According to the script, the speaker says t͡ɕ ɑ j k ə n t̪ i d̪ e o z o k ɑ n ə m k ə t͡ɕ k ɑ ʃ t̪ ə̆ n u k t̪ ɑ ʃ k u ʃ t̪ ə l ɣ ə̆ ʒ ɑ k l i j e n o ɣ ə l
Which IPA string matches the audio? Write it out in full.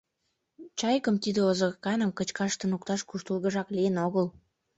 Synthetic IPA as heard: t͡ɕ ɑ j k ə m t̪ i d̪ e o z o k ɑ n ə m k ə t͡ɕ k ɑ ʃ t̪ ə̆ n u k t̪ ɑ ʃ k u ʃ t̪ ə l ɣ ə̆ ʒ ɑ k l i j e n o ɣ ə l